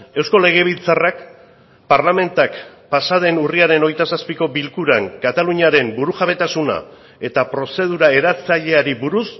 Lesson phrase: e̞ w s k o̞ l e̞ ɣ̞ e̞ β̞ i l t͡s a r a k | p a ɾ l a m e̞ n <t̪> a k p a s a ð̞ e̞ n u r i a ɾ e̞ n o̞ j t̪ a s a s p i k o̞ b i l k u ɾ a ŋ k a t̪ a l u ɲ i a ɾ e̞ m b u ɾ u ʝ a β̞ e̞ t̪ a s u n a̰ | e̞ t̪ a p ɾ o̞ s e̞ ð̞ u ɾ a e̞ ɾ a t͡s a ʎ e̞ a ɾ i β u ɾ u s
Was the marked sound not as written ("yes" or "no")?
no